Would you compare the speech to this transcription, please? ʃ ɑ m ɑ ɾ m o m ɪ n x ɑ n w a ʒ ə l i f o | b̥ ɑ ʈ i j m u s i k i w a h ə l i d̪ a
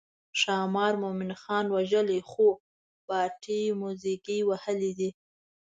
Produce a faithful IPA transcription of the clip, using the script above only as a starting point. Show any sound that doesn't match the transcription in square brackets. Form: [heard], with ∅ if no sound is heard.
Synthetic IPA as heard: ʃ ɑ m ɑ ɾ m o m ɪ n x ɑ n w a ʒ ə l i [x] o | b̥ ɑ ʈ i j m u [z] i k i w a h ə l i d̪ [i]